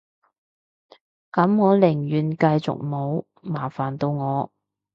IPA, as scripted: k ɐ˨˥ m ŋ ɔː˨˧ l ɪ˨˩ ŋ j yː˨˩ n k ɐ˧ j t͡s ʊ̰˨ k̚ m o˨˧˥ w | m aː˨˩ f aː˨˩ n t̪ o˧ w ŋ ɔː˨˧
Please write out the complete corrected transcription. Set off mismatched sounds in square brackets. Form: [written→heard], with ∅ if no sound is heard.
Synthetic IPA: k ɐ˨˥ m ŋ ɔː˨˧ l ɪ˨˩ ŋ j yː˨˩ n k ɐ˧ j t͡s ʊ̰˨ k̚ m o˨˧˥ w | m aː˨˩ f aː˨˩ n t̪ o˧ w ŋ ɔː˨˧